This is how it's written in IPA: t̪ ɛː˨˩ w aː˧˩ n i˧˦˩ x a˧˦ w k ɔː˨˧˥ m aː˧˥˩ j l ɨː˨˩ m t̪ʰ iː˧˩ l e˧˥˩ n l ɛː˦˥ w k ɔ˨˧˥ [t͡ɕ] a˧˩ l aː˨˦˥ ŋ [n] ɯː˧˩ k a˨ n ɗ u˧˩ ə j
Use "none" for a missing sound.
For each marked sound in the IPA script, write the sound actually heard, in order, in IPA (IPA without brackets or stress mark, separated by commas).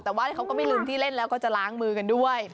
t͡ɕ, m